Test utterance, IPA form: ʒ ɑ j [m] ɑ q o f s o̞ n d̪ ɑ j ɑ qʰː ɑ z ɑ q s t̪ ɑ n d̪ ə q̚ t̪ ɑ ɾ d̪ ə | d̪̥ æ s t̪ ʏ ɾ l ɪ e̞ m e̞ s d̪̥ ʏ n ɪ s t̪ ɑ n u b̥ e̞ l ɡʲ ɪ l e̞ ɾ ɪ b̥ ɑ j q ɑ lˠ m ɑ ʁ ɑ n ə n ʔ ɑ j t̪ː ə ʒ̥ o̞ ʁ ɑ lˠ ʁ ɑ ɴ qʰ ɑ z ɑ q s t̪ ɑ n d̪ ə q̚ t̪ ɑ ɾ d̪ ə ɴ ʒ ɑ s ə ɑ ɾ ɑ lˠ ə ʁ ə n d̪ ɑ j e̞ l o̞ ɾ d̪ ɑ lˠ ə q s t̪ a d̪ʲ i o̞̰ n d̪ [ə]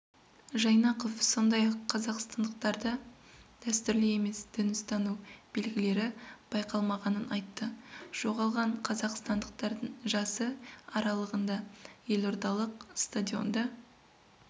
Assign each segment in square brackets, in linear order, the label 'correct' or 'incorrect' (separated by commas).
incorrect, incorrect